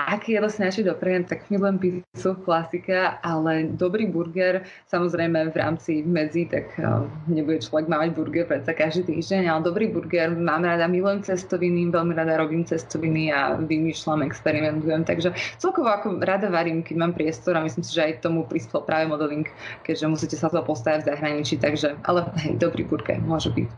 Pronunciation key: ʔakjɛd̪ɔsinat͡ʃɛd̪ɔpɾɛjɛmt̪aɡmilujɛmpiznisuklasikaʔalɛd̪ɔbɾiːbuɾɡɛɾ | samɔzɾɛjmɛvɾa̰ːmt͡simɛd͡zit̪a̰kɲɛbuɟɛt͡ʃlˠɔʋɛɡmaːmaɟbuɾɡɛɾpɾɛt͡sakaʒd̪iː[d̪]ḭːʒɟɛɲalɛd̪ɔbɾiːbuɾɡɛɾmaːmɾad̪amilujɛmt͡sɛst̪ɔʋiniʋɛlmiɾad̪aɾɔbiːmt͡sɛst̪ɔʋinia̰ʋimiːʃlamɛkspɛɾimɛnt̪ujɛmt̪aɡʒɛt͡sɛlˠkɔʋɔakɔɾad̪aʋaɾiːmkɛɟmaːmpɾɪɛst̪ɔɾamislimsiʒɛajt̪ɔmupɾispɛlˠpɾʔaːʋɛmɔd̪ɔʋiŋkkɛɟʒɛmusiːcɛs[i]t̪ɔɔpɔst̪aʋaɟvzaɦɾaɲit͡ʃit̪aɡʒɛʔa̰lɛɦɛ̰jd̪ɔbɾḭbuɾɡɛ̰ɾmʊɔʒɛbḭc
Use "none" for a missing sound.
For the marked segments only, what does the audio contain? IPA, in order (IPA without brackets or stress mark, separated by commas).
t̪, a